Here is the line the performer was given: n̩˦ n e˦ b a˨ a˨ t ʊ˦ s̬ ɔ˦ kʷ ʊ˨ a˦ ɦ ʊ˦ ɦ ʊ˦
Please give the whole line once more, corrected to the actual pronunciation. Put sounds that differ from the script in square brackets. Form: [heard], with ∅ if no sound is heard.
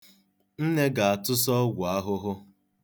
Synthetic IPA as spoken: n̩˦ n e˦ [ɡ] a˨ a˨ t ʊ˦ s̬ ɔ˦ [ɡʷ] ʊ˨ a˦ ɦ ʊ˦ ɦ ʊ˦